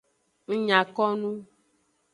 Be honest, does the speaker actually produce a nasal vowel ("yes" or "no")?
yes